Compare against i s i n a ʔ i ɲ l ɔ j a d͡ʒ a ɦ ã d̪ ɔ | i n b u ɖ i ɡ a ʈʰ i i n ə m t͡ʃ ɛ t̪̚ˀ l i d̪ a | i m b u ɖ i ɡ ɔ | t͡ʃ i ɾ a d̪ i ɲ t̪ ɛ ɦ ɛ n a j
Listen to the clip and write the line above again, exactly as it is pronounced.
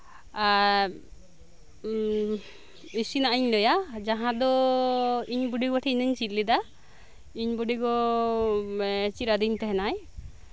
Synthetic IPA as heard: i s i n a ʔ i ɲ l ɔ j a d͡ʒ a ɦ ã d̪ ɔ | i ɲ b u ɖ i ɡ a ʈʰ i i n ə ɲ t͡ʃ i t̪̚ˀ l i d̪ a | i ɲ b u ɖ i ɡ ɔ | t͡ʃ i ɾ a d̪ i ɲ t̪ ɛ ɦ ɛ n a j

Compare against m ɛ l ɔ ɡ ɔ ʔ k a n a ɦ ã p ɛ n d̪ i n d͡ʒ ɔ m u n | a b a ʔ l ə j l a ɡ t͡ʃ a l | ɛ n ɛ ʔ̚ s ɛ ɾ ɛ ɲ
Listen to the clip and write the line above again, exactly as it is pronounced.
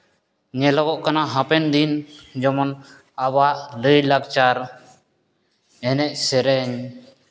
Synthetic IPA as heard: ɲ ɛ l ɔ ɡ ɔ ʔ k a n a ɦ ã p ɛ n d̪ i n d͡ʒ ɔ m ɔ n | a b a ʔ l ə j l a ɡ t͡ʃ a ɾ | ɛ n ɛ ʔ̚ s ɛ ɾ ɛ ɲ

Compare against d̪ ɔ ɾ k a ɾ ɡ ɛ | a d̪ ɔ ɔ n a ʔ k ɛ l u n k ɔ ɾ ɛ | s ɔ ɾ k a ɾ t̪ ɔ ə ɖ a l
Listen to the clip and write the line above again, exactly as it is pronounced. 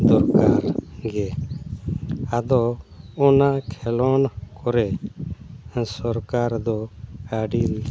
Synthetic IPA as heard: d̪ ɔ ɾ k a ɾ ɡ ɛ | a d̪ ɔ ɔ n a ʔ kʰ ɛ l ɔ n k ɔ ɾ ɛ | s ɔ ɾ k a ɾ d̪ ɔ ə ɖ i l

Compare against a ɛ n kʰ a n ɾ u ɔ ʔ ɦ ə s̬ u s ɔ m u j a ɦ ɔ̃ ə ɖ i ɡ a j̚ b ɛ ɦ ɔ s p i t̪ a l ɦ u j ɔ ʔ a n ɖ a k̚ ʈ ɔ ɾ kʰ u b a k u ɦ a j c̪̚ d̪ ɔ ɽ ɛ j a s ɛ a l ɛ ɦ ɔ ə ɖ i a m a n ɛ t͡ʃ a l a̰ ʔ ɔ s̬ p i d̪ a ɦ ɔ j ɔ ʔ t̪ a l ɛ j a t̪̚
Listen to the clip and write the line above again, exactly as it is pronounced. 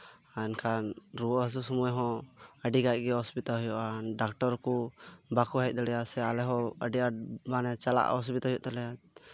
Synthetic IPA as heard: a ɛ n kʰ a n ɾ u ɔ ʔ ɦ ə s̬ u s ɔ m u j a ɦ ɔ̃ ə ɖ i ɡ a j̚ ɡ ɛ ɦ ɔ s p i t̪ a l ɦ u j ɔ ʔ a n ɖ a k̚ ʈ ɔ ɾ k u b a k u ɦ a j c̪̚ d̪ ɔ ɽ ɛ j a s ɛ a l ɛ ɦ ɔ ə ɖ i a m a n ɛ t͡ʃ a l a̰ ʔ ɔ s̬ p i t̪ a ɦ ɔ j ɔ ʔ t̪ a l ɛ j a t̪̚

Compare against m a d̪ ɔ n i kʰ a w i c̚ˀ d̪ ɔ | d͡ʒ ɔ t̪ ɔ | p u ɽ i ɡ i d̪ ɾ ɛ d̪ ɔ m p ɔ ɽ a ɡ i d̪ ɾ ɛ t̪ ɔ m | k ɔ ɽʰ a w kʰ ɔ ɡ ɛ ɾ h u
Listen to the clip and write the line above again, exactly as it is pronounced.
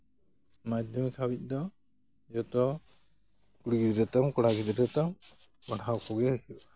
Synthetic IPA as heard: m a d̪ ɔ m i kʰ a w i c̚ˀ d̪ ɔ | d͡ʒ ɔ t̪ ɔ | k u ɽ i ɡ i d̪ ɾ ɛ t̪ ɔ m k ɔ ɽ a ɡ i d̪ ɾ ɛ t̪ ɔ m | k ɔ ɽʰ a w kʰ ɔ ɡ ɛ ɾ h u

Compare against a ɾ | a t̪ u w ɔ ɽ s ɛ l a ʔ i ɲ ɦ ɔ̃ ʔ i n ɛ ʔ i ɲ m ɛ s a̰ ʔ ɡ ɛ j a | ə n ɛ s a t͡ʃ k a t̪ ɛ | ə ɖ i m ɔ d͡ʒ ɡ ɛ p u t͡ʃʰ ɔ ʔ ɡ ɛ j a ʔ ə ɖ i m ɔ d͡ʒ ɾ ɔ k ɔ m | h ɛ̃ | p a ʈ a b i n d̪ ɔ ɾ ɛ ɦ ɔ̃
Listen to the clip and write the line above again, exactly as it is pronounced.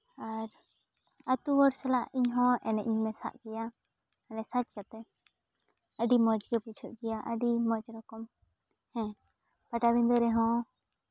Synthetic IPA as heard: a ɾ | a t̪ u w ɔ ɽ s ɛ l a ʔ i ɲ ɦ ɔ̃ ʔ ɛ n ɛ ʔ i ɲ m ɛ s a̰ ʔ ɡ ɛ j a | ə n ɛ s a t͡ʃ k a t̪ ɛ | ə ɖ i m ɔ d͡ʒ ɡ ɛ p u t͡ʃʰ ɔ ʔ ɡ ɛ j a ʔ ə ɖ i m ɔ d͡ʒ ɾ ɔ k ɔ m | h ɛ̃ | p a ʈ a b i n d̪ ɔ ɾ ɛ ɦ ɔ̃

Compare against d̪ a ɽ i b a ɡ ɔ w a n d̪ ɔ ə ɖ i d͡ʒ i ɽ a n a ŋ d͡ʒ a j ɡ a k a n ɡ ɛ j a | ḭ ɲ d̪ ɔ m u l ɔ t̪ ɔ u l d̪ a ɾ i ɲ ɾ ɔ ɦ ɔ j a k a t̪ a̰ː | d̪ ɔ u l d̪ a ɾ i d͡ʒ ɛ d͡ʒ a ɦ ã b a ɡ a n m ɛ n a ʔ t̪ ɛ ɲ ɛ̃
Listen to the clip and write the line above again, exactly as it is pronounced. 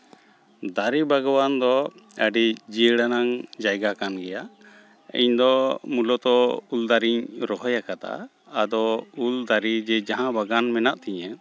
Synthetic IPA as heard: d̪ a ɾ i b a ɡ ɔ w a n d̪ ɔ ə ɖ i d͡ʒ i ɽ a n a ŋ d͡ʒ a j ɡ a k a n ɡ ɛ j a | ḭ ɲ d̪ ɔ m u l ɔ t̪ ɔ u l d̪ a ɾ i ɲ ɾ ɔ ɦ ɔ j a k a t̪ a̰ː | d̪ ɔ u l d̪ a ɾ i d͡ʒ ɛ d͡ʒ a ɦ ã b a ɡ a n m ɛ n a ʔ t̪ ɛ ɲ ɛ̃

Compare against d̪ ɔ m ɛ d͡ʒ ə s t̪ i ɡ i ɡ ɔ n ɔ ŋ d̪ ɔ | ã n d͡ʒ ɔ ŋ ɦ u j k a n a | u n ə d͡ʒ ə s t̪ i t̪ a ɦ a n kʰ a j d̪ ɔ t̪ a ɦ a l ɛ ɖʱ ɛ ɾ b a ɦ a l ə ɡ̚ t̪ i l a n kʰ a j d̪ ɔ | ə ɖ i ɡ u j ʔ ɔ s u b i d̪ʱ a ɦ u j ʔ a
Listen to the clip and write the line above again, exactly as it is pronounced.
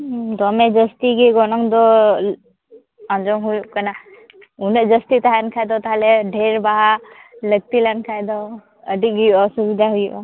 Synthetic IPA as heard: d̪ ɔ m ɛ d͡ʒ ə s t̪ i ɡ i ɡ ɔ n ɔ ŋ d̪ ɔ | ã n d͡ʒ ɔ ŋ ɦ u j k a n a | u n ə d͡ʒ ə s t̪ i t̪ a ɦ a n kʰ a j d̪ ɔ t̪ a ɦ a l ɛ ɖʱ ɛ ɾ b a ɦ a l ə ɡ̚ t̪ i l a n kʰ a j d̪ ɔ | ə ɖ i ɡ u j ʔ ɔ s u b i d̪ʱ a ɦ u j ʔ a

